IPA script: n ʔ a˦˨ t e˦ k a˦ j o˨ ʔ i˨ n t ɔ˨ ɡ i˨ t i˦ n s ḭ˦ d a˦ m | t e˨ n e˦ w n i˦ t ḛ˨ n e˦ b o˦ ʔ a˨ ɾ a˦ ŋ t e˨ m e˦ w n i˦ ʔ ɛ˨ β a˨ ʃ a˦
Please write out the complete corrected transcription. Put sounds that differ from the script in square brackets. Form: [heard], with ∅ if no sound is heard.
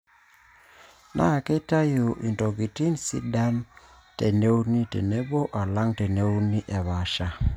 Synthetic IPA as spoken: n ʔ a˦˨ [k] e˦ [t] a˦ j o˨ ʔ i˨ n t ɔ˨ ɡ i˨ t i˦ n s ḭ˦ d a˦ m | t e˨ n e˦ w n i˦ t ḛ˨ n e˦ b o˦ ʔ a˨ [l] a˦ ŋ t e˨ [n] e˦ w n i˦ ʔ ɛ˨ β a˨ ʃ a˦